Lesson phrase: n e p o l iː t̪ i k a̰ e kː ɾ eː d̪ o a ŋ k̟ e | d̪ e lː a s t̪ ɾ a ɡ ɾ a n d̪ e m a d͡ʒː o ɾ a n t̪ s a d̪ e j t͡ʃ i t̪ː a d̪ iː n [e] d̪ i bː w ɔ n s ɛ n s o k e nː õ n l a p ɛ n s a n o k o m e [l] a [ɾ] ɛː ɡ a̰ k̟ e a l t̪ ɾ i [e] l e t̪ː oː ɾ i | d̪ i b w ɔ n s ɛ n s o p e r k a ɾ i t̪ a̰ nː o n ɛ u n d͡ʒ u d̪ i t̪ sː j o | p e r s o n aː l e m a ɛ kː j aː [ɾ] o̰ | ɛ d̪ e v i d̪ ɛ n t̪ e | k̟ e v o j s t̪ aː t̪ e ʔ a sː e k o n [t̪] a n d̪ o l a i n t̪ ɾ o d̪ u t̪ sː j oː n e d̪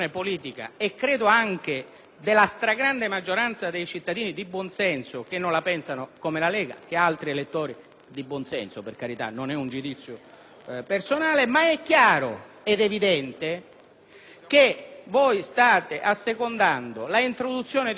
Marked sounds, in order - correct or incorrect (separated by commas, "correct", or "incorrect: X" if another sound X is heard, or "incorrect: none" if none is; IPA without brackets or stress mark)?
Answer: incorrect: i, correct, incorrect: l, correct, correct, incorrect: d̪